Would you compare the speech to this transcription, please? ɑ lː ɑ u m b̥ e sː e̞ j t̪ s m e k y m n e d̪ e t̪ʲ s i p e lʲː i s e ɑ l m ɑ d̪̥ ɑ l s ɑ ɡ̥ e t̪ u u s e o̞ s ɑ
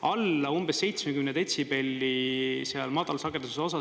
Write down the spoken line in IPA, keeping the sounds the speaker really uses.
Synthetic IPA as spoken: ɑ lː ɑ u m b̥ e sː e̞ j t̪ s m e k y m n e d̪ e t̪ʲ s i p e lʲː i s e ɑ l m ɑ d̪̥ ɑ l s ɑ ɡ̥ e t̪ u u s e o̞ s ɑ